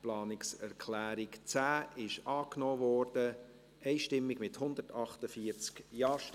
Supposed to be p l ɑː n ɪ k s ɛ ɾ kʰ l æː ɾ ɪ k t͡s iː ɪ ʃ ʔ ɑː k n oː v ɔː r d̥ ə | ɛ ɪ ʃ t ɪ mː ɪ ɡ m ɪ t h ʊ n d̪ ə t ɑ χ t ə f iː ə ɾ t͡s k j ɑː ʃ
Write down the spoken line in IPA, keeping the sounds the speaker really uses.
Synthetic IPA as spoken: p l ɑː n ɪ k s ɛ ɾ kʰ l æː ɾ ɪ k t͡s æː ɪ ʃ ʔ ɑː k n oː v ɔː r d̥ ə | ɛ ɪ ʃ t ɪ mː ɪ ɡ m ɪ t h ʊ n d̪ ə t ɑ χ t ə f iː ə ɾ t͡s k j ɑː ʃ